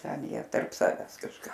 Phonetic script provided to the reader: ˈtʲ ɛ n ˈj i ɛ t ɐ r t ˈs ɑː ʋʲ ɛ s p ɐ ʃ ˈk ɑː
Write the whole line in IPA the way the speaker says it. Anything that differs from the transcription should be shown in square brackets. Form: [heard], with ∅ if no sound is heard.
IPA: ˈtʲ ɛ n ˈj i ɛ t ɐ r [p] ˈs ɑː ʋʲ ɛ s [k] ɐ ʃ ˈk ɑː